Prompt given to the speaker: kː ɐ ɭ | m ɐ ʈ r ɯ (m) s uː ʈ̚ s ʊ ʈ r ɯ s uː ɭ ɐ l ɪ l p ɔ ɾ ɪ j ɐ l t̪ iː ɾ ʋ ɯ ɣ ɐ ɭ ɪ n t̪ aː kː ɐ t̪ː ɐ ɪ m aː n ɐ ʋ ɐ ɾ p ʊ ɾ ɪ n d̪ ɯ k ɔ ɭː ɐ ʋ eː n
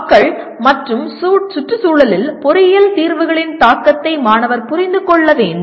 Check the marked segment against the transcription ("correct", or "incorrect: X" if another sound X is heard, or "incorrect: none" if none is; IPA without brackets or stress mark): correct